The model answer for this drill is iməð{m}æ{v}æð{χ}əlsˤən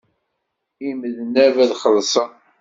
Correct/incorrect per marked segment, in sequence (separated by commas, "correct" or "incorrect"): incorrect, correct, correct